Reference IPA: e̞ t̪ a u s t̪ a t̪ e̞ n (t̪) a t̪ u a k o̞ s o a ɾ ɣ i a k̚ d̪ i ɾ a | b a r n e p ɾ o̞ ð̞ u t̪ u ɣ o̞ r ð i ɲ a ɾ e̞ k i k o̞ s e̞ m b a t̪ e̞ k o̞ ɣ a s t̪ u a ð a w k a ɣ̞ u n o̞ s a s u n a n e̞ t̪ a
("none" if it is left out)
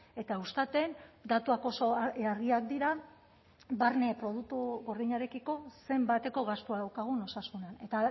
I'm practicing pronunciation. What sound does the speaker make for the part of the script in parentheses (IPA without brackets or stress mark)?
d̪